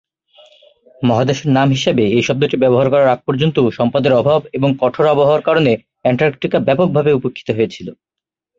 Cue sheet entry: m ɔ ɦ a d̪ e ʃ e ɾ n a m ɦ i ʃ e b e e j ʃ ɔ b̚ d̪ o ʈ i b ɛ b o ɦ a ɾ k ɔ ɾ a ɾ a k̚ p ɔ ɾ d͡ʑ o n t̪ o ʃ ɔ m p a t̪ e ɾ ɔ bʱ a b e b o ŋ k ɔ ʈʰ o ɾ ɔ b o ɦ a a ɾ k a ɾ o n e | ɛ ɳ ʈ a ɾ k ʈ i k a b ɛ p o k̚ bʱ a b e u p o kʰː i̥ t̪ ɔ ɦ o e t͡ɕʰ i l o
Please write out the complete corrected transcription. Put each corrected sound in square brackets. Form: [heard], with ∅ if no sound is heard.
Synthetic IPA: m ɔ ɦ a d̪ e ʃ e ɾ n a m ɦ i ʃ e b e e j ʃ ɔ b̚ d̪ o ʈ i b ɛ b o ɦ a ɾ k ɔ ɾ a ɾ a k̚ p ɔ ɾ d͡ʑ o n t̪ o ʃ ɔ m p a [d̪] e ɾ ɔ bʱ a b e b o ŋ k ɔ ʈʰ o ɾ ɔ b o ɦ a a ɾ k a ɾ o n e | ɛ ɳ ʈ a ɾ k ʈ i k a b ɛ p o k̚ bʱ a b e u p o kʰː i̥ t̪ [o] ɦ o e t͡ɕʰ i l o